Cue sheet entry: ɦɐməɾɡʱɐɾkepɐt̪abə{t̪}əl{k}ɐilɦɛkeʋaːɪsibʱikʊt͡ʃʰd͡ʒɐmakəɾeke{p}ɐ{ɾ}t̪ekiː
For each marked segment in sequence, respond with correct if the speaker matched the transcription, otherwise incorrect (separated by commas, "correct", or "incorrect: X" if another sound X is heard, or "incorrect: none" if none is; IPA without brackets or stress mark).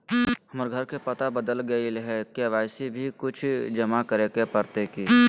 incorrect: d̪, incorrect: ɡ, correct, correct